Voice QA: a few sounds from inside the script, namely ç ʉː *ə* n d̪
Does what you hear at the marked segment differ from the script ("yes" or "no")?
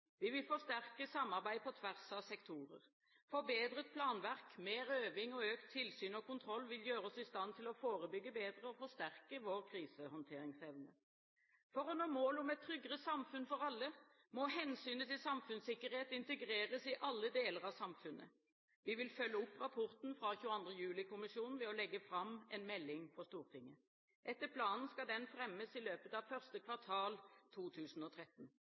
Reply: yes